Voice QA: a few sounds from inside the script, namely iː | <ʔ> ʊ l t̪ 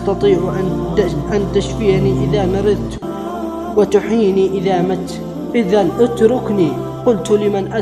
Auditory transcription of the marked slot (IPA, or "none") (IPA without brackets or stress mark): q